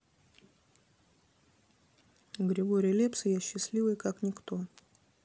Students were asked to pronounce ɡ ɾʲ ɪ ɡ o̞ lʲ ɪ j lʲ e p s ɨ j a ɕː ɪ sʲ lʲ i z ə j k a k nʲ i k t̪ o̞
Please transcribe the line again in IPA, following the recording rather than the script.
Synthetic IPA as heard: ɡ ɾʲ ɪ ɡ o̞ ɾʲ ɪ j lʲ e p s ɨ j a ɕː ɪ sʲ lʲ i v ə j k a k nʲ ɪ k t̪ o̞